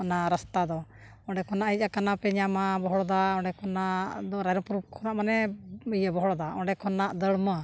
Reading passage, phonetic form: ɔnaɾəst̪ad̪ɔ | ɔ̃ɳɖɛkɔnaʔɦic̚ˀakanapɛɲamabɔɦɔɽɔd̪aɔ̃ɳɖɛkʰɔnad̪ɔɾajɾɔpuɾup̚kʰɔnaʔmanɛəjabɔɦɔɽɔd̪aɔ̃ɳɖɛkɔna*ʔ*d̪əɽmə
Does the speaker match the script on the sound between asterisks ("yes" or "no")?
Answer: yes